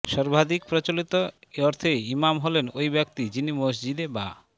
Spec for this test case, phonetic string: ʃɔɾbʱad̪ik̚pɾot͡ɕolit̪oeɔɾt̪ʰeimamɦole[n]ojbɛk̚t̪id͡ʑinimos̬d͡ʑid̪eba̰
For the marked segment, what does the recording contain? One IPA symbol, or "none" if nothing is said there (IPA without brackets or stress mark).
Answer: n